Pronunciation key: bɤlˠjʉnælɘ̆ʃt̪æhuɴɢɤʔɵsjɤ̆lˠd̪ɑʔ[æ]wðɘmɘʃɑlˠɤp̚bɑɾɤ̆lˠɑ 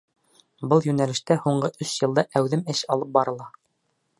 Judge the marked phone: correct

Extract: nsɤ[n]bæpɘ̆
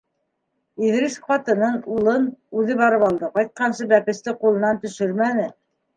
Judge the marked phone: incorrect: none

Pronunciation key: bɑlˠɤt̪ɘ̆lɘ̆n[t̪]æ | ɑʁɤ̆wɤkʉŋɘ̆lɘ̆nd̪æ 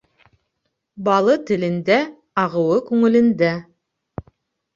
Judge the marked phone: incorrect: d̪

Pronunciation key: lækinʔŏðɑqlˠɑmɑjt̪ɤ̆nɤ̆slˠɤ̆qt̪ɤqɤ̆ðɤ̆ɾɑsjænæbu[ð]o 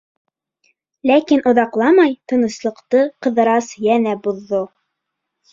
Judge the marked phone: incorrect: ðː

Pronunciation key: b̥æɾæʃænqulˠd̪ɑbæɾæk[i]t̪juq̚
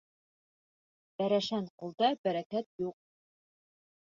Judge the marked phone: incorrect: æ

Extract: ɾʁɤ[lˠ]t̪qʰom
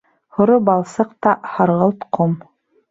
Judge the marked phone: correct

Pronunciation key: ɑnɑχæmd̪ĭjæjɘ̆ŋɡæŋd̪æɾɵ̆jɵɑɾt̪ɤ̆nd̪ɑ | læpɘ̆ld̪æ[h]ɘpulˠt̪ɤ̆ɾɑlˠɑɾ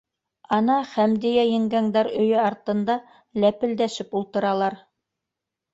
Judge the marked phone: incorrect: ʃ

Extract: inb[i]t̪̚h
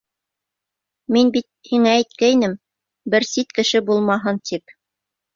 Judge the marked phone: correct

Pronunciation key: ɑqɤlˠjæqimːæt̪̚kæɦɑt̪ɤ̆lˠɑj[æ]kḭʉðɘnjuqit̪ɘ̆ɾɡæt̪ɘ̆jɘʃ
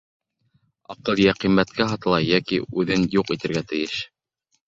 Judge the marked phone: correct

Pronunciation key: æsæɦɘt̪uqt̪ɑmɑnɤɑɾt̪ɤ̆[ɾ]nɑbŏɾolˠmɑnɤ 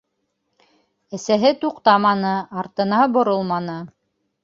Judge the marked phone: incorrect: none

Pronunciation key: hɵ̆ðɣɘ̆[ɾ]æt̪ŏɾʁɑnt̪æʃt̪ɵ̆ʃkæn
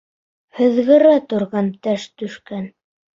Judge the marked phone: correct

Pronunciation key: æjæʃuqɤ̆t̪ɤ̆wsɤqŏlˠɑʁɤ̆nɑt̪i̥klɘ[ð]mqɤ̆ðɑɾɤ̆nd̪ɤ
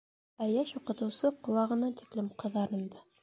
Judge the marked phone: incorrect: none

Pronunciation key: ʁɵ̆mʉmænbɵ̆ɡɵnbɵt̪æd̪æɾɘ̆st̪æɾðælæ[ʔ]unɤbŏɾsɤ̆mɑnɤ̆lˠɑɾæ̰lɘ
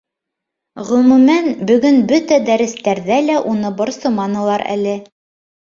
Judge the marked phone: correct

